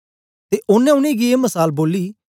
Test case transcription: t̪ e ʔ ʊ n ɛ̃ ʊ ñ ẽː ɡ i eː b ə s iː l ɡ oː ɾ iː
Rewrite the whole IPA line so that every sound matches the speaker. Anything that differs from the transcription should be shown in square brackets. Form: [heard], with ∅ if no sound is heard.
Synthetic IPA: t̪ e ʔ ʊ n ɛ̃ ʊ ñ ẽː ɡ i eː [m] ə s [aː] l [b] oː [l] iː

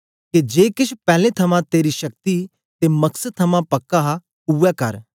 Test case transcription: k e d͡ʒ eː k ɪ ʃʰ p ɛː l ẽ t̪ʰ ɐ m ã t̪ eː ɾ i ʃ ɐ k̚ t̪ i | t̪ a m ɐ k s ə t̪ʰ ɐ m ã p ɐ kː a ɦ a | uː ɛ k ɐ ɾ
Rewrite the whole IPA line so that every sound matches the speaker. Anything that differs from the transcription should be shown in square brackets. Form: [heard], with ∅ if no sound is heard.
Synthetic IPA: k e d͡ʒ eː k ɪ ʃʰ p ɛː l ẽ t̪ʰ ɐ m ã t̪ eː ɾ i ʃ ɐ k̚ t̪ i | t̪ [e] m ɐ k s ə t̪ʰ ɐ m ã p ɐ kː a ɦ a | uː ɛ k ɐ ɾ

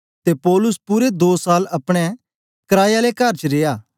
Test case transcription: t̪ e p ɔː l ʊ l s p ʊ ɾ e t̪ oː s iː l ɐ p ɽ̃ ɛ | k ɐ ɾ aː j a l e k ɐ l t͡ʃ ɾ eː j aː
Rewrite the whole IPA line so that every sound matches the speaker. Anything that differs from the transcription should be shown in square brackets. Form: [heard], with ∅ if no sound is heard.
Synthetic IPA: t̪ e p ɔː l ʊ [∅] s p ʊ ɾ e [d̪] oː s [aː] l ɐ p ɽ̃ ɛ | k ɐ ɾ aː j a l e k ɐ [ɾ] t͡ʃ ɾ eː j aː

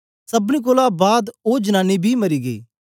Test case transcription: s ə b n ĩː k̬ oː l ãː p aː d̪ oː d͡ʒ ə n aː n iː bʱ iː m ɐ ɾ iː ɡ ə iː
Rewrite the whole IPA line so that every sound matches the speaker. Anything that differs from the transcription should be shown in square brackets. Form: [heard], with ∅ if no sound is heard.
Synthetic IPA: s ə b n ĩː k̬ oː l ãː [b] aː d̪ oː d͡ʒ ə n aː n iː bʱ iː m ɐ ɾ iː ɡ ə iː

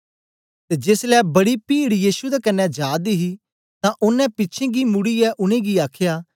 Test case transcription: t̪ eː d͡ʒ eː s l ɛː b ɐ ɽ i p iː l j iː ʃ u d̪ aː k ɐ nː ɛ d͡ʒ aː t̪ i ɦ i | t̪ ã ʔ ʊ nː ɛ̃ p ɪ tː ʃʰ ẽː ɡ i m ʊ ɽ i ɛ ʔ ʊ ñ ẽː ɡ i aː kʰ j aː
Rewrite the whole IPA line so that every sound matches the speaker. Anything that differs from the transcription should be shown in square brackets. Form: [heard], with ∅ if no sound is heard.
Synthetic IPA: t̪ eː d͡ʒ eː s l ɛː b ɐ ɽ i p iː [ɽ] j iː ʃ u d̪ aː k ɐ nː ɛ d͡ʒ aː [d̪] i ɦ i | t̪ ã ʔ ʊ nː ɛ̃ p ɪ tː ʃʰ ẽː ɡ i m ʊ ɽ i ɛ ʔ ʊ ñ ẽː ɡ i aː kʰ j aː

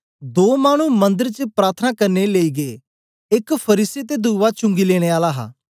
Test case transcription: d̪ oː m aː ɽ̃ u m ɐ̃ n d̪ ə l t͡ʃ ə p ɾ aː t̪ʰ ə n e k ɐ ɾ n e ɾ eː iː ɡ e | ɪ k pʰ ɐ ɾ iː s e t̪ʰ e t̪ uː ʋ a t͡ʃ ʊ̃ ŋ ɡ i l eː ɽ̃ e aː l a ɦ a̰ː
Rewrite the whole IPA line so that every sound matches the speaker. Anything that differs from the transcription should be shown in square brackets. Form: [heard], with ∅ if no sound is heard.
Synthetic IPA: d̪ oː m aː ɽ̃ u m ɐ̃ n d̪ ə [ɾ] t͡ʃ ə p ɾ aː t̪ʰ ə n [a] k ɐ ɾ n e [l] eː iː ɡ e | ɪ k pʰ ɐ ɾ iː s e [t̪] e [d̪] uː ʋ a t͡ʃ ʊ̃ ŋ ɡ i l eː ɽ̃ e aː l a ɦ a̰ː

